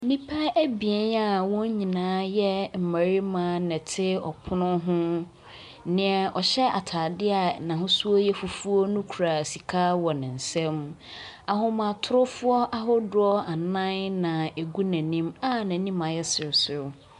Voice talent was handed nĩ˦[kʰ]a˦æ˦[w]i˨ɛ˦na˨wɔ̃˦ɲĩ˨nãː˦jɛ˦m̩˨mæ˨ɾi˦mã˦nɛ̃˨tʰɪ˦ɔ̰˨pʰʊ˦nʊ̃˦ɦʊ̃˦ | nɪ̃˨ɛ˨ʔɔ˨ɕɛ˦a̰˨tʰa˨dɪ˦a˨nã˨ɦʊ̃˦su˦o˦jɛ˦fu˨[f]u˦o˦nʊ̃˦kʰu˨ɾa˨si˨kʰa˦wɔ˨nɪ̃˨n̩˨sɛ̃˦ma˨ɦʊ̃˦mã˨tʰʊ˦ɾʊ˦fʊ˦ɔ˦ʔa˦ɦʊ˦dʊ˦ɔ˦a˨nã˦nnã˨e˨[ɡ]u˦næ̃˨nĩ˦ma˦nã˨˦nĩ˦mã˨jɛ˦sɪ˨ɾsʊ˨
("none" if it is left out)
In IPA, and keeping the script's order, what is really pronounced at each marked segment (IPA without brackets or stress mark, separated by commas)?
pʰ, b, f, ɡ